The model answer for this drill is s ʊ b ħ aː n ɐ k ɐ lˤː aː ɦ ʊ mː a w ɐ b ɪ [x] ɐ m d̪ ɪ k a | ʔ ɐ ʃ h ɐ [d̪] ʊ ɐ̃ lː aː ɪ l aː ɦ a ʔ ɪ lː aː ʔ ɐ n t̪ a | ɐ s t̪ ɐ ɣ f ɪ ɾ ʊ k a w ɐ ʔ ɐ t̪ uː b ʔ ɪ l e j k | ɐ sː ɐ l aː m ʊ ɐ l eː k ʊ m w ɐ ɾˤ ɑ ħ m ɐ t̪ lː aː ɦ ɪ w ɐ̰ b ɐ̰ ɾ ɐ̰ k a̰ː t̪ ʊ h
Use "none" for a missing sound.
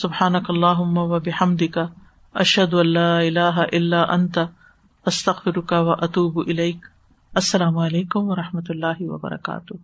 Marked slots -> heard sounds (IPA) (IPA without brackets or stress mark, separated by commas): ħ, d̪